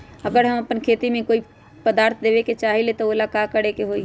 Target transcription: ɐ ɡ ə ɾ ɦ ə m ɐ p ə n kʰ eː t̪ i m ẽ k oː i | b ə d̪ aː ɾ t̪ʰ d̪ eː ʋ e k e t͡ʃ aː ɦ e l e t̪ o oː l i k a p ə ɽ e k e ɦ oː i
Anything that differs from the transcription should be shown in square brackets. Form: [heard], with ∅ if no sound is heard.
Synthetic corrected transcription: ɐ ɡ ə ɾ ɦ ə m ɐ p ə n kʰ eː t̪ i m ẽ k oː i | [p] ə d̪ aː ɾ t̪ʰ d̪ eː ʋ e k e t͡ʃ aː ɦ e l e t̪ o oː l [a] k a [k] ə ɽ e k e ɦ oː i